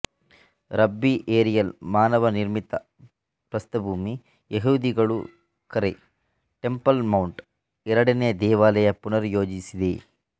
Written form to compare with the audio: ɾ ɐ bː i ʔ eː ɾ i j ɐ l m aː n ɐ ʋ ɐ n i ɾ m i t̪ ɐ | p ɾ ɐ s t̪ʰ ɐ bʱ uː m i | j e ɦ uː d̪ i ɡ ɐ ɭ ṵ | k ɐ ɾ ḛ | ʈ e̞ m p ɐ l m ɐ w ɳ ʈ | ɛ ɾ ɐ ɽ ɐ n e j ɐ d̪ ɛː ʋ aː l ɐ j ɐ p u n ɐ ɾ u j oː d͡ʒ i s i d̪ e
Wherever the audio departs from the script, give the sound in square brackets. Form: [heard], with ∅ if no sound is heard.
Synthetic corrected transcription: ɾ ɐ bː i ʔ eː ɾ i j ɐ l m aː n ɐ ʋ ɐ n i ɾ m i t̪ ɐ | p ɾ ɐ s [t̪] ɐ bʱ uː m i | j e ɦ uː d̪ i ɡ ɐ ɭ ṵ | k ɐ ɾ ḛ | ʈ e̞ m p ɐ l m ɐ w ɳ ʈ | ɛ ɾ ɐ ɽ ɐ n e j ɐ d̪ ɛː ʋ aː l ɐ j ɐ p u n ɐ ɾ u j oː d͡ʒ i s i d̪ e

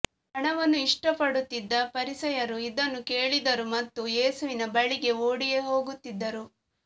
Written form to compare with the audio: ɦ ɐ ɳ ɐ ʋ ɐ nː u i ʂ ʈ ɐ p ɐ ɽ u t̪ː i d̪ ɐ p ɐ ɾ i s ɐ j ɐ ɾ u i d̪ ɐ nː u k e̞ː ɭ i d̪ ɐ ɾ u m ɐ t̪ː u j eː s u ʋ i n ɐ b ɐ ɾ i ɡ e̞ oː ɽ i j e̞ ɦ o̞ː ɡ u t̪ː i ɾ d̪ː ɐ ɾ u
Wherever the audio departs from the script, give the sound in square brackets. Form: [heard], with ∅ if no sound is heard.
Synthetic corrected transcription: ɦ ɐ ɳ ɐ ʋ ɐ nː u i ʂ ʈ ɐ p ɐ ɽ u t̪ː i [d̪ː] ɐ p ɐ ɾ i s ɐ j ɐ ɾ u i d̪ ɐ nː u k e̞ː ɭ i d̪ ɐ ɾ u m ɐ t̪ː u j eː s u ʋ i n ɐ b ɐ [ɭ] i ɡ e̞ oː ɽ i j e̞ ɦ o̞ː ɡ u t̪ː i [∅] d̪ː ɐ ɾ u

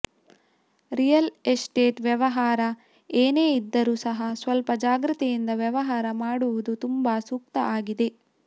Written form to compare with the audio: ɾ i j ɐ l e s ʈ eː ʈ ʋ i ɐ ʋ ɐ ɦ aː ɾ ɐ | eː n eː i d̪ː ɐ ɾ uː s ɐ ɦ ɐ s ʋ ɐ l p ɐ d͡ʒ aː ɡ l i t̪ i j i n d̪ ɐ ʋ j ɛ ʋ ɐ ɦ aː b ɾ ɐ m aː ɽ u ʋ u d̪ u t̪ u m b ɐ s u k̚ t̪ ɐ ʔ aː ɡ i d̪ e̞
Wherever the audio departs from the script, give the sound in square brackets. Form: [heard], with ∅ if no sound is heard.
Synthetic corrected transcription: ɾ i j ɐ l e s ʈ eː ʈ ʋ [j] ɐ ʋ ɐ ɦ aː ɾ ɐ | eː n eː i d̪ː ɐ ɾ uː s ɐ ɦ ɐ s ʋ ɐ l p ɐ d͡ʒ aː ɡ [ɾ] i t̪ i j i n d̪ ɐ ʋ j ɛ ʋ ɐ ɦ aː [∅] ɾ ɐ m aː ɽ u ʋ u d̪ u t̪ u m b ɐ s u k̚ t̪ ɐ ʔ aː ɡ i d̪ e̞

